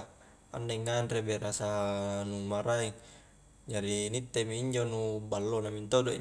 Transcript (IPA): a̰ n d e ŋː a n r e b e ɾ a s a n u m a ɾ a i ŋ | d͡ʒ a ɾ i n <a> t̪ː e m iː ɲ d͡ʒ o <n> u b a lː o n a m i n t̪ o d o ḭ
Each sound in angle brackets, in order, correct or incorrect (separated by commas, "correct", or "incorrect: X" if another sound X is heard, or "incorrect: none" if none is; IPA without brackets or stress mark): incorrect: i, correct